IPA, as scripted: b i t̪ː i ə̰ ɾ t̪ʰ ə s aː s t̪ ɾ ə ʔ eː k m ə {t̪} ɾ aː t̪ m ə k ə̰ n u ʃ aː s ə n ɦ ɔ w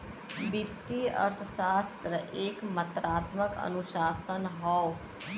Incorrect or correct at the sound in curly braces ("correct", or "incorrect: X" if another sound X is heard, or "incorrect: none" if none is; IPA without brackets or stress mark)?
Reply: correct